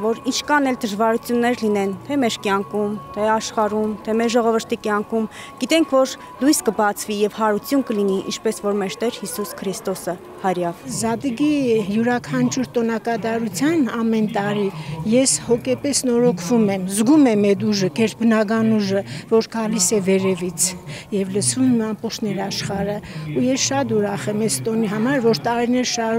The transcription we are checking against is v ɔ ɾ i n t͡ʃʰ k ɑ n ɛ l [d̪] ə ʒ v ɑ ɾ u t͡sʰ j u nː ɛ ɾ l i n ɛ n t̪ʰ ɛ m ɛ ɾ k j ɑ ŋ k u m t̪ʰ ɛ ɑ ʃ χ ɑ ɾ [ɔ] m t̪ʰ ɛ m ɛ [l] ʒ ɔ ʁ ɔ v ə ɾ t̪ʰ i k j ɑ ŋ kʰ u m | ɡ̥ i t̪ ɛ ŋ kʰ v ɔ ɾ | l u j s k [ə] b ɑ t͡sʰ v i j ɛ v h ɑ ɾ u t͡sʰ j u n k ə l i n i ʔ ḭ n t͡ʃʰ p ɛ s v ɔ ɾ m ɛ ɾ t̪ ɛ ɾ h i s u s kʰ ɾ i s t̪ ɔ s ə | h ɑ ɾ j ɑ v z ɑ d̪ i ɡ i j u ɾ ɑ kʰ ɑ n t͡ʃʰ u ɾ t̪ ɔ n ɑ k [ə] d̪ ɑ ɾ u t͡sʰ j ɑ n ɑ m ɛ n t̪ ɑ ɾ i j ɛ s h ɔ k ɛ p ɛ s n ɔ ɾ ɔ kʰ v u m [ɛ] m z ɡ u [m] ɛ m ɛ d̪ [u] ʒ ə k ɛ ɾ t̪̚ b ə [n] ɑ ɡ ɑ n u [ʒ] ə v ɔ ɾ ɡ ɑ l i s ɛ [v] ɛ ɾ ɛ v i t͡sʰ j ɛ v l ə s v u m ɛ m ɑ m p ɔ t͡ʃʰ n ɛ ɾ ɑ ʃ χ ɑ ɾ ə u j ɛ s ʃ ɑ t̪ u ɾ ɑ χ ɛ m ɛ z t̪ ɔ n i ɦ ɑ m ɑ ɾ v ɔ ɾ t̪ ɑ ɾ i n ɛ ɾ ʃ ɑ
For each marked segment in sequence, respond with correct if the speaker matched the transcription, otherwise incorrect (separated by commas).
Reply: correct, incorrect, incorrect, correct, incorrect, correct, correct, correct, correct, correct, correct